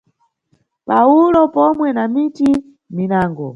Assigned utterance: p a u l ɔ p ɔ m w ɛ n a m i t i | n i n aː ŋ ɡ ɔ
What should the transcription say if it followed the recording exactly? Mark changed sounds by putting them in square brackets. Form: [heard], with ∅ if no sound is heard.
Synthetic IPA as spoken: p a u l ɔ p ɔ m w ɛ n a m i t i | [m] i n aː ŋ ɡ ɔ